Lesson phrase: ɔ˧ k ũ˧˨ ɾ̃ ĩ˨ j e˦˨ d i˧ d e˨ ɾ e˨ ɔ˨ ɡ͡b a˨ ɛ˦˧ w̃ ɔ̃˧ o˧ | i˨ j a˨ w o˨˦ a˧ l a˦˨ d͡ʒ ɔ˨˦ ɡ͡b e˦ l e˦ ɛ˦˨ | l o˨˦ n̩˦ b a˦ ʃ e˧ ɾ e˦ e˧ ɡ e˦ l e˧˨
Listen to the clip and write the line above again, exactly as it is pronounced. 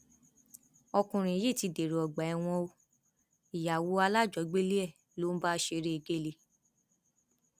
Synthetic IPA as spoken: ɔ˧ k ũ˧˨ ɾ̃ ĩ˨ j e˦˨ t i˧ d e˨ ɾ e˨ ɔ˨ ɡ͡b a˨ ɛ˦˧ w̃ ɔ̃˧ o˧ | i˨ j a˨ w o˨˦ a˧ l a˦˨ d͡ʒ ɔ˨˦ ɡ͡b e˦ l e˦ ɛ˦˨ | l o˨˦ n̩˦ b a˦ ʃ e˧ ɾ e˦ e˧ ɡ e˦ l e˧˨